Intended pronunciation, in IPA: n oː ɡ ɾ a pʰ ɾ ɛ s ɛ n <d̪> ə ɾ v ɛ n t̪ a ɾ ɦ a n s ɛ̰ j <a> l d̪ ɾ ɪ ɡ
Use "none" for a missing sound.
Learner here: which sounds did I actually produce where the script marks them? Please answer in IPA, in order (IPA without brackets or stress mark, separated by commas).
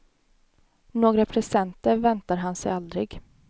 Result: t̪, a